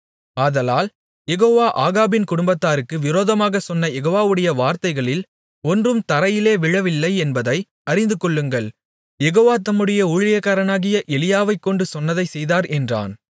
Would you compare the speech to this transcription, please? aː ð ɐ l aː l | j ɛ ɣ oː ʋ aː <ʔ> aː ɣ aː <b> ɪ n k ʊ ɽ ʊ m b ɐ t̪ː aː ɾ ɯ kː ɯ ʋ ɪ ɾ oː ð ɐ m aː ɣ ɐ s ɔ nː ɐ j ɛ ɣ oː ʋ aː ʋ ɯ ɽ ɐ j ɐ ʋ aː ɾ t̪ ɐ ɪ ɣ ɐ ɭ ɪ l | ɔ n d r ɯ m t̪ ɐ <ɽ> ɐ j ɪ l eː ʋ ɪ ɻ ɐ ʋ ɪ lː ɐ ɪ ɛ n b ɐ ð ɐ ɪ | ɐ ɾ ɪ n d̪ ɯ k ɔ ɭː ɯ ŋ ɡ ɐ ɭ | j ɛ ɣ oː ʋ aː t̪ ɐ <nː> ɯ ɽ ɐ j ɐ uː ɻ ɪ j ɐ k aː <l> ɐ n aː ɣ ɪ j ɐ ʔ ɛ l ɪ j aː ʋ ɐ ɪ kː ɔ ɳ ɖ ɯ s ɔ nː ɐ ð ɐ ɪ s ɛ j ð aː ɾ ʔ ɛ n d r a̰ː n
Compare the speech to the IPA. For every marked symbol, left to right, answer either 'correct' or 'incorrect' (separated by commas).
correct, correct, incorrect, incorrect, incorrect